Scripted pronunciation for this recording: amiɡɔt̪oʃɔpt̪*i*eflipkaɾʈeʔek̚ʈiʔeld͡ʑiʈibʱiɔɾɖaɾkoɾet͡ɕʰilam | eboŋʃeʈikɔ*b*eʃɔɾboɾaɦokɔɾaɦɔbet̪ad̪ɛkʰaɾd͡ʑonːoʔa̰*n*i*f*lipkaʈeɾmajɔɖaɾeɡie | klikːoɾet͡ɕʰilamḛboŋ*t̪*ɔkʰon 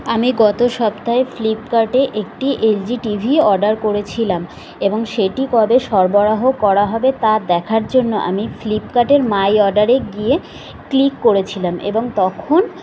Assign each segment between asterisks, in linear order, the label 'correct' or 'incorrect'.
incorrect, correct, incorrect, correct, correct

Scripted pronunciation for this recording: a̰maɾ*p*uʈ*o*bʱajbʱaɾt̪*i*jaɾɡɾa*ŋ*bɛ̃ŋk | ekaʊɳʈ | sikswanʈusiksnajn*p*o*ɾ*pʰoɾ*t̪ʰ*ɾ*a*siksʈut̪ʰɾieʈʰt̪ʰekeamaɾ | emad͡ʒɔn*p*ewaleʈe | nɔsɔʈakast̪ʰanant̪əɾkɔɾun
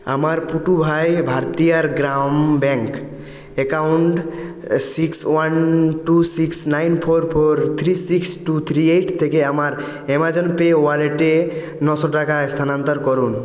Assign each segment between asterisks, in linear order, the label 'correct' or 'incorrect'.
correct, incorrect, correct, incorrect, incorrect, correct, correct, incorrect, correct

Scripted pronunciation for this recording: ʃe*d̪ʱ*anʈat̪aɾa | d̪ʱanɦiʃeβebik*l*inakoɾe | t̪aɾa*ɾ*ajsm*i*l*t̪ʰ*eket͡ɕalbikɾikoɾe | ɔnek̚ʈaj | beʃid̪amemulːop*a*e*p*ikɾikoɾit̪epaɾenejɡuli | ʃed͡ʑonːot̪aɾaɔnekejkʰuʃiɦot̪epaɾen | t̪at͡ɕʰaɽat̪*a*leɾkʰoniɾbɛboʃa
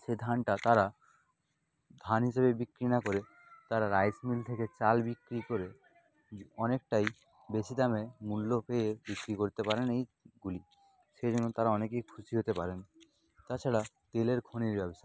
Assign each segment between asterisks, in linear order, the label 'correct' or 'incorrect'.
correct, incorrect, correct, correct, correct, incorrect, incorrect, incorrect

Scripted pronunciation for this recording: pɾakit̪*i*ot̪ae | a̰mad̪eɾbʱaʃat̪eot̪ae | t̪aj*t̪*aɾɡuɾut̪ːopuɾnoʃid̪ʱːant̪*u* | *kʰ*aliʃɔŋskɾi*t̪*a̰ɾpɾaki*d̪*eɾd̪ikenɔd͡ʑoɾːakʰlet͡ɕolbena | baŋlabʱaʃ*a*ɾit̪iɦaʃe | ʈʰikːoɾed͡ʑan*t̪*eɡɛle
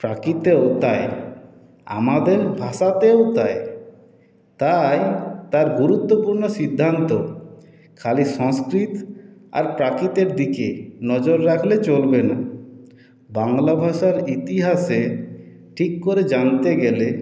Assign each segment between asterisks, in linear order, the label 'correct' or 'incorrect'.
incorrect, correct, incorrect, correct, correct, incorrect, correct, correct

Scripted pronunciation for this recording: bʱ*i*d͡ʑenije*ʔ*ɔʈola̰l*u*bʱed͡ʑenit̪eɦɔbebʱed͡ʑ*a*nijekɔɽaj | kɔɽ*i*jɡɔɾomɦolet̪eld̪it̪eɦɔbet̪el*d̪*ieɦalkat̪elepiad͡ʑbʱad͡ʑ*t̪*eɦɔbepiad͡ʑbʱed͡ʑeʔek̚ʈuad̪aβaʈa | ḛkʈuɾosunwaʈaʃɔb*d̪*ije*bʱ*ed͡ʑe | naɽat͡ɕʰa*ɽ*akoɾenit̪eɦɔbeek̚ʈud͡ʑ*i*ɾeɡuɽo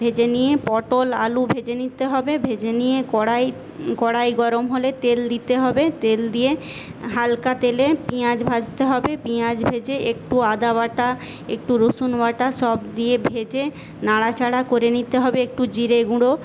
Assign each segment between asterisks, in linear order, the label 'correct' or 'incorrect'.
incorrect, incorrect, correct, incorrect, incorrect, correct, correct, correct, correct, correct, correct

